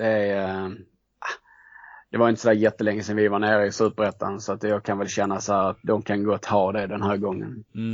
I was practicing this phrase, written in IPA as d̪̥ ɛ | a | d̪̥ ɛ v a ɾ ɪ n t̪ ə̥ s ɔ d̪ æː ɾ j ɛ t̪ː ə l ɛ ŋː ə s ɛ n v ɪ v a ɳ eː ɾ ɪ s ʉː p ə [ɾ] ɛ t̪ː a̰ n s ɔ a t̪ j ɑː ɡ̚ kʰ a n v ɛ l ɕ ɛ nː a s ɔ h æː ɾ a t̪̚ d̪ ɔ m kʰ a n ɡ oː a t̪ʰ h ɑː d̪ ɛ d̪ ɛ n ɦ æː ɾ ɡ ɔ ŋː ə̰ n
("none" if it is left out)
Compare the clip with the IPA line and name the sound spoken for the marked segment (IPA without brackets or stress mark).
ɾ